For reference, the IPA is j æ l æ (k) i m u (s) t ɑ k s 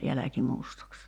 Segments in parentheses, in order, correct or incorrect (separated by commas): correct, correct